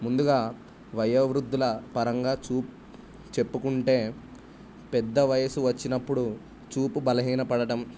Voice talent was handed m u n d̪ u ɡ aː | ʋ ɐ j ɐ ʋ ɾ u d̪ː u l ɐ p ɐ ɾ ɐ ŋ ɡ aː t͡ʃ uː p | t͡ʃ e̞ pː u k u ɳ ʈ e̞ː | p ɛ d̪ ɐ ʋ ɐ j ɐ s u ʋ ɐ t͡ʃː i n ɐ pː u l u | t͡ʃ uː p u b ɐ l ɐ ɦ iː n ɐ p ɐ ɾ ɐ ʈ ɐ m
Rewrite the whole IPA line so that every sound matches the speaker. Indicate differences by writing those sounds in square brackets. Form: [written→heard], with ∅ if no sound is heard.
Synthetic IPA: m u n d̪ u ɡ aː | ʋ ɐ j ɐ ʋ ɾ u d̪ː u l ɐ p ɐ ɾ ɐ ŋ ɡ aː t͡ʃ uː p | t͡ʃ e̞ pː u k u ɳ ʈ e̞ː | p ɛ [d̪→d̪ː] ɐ ʋ ɐ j ɐ s u ʋ ɐ t͡ʃː i n ɐ pː u [l→ɽ] u | t͡ʃ uː p u b ɐ l ɐ ɦ iː n ɐ p ɐ [ɾ→ɽ] ɐ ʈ ɐ m